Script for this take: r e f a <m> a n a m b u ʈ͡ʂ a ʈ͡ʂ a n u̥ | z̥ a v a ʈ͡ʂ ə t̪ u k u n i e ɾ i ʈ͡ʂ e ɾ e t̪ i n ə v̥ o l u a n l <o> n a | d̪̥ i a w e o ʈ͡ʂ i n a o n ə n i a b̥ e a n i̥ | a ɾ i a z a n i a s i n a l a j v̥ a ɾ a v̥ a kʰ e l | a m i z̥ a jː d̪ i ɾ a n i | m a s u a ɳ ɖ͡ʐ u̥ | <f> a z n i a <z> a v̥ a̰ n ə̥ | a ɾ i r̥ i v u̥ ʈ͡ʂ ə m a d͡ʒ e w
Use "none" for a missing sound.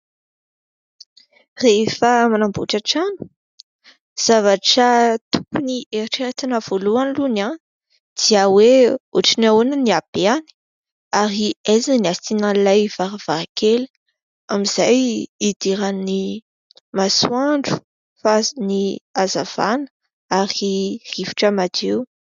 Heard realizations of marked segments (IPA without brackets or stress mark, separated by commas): m, u, f, z